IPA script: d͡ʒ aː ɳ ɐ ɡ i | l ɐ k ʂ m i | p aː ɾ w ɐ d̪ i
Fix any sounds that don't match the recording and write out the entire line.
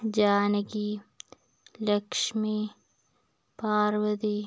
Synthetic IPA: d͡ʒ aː n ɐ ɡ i | l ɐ k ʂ m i | p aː ɾ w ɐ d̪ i